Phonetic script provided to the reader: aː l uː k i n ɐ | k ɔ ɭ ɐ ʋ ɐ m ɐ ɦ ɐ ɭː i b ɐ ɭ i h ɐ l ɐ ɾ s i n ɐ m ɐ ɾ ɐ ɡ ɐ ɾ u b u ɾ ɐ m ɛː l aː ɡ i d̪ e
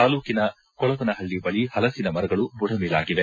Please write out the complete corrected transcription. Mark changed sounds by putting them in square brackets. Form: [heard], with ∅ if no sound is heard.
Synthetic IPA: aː l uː k i n ɐ | k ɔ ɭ ɐ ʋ ɐ [n] ɐ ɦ ɐ ɭː i b ɐ ɭ i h ɐ l ɐ [∅] s i n ɐ m ɐ ɾ ɐ ɡ ɐ [ɭ] u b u [ɽ] ɐ m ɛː l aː ɡ i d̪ e

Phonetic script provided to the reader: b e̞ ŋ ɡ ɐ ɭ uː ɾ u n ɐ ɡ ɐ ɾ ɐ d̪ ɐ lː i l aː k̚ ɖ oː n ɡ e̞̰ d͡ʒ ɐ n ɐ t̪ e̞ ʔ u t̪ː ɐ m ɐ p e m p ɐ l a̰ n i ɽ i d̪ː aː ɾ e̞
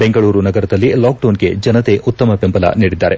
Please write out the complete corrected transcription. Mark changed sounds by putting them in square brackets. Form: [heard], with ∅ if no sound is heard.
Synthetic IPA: b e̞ ŋ ɡ ɐ ɭ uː ɾ u n ɐ ɡ ɐ ɾ ɐ d̪ ɐ lː i l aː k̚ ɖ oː n ɡ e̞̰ d͡ʒ ɐ n ɐ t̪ e̞ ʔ u t̪ː ɐ m ɐ p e m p ɐ l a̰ n [iː] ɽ i d̪ː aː ɾ e̞

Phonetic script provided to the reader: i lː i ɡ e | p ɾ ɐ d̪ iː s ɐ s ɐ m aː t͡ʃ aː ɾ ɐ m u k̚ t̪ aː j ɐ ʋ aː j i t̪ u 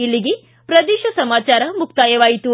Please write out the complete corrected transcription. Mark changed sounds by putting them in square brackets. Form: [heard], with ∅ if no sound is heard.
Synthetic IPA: i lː i ɡ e | p ɾ ɐ d̪ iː [ʃ] ɐ s ɐ m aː t͡ʃ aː ɾ ɐ m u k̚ t̪ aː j ɐ ʋ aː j i t̪ u

